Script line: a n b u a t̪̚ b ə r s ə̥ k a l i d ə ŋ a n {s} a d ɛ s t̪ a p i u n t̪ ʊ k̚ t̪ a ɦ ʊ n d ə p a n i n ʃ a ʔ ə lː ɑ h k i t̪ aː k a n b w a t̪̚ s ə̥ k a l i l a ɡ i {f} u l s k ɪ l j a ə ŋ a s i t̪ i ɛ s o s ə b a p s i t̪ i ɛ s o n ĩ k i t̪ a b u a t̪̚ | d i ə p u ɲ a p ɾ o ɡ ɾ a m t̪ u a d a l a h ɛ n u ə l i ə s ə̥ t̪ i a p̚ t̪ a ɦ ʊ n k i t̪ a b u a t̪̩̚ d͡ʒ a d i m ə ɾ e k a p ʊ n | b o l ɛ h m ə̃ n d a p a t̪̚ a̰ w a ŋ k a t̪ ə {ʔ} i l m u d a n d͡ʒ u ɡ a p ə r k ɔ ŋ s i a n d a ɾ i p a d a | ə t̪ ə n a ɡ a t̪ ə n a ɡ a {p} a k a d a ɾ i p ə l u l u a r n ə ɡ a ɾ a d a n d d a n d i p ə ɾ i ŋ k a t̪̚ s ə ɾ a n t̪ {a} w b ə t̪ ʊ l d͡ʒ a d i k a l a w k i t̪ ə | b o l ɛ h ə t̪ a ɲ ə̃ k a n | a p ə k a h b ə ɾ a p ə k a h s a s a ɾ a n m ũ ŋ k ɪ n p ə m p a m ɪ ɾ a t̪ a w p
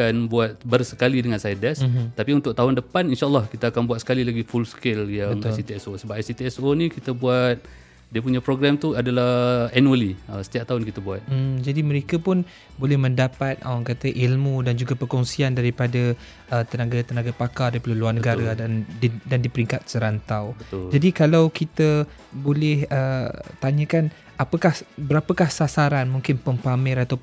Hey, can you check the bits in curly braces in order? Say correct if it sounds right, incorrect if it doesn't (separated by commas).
correct, correct, correct, correct, correct